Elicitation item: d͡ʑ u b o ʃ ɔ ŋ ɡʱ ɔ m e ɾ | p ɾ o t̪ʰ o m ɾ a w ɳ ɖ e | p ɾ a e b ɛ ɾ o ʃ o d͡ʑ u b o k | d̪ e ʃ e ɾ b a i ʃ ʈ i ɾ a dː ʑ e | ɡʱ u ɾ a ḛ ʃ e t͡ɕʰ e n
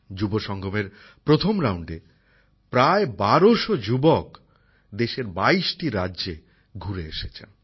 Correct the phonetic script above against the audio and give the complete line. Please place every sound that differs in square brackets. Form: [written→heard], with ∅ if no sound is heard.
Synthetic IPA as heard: d͡ʑ u b o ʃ ɔ ŋ ɡʱ [ɔ→o] m e ɾ | p ɾ o t̪ʰ o m ɾ a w ɳ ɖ e | p ɾ a e b [ɛ→a] ɾ o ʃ o d͡ʑ u b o k | d̪ e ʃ e ɾ b a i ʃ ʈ i ɾ a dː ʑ e | ɡʱ u ɾ [a→e] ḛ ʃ e t͡ɕʰ e n